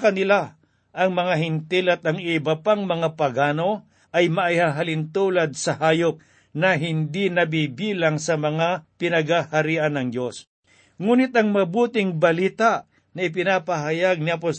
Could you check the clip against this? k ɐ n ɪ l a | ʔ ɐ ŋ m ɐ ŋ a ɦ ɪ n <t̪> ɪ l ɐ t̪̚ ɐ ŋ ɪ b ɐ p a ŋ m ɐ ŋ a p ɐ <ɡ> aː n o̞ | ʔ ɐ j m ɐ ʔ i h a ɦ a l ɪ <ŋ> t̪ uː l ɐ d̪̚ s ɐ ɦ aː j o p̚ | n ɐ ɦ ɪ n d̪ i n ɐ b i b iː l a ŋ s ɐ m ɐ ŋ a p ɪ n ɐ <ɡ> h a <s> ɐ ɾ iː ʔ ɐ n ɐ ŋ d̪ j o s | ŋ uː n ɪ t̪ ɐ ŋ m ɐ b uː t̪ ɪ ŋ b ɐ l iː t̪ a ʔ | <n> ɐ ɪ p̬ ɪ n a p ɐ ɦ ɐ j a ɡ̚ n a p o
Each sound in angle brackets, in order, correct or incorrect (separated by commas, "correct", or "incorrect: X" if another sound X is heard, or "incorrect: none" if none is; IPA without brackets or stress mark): correct, correct, incorrect: n, correct, incorrect: h, correct